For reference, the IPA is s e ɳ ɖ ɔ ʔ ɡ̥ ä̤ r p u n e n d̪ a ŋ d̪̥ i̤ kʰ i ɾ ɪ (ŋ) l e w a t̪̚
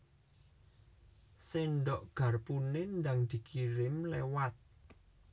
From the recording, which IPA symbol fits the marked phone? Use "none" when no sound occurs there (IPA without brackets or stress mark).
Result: m